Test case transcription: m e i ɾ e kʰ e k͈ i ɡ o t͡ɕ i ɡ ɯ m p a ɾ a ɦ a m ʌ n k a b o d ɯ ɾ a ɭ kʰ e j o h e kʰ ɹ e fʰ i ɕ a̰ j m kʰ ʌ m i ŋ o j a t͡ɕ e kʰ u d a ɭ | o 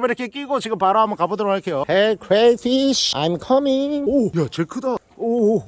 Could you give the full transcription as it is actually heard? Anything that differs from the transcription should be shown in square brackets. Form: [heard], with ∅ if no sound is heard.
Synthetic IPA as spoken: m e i ɾ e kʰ e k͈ i ɡ o t͡ɕ i ɡ ɯ m p a ɾ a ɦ a m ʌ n k a b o d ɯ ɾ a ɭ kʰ e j o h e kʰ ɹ e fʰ i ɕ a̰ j m kʰ ʌ m i ŋ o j a t͡ɕ e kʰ [ɯ] d a [∅] | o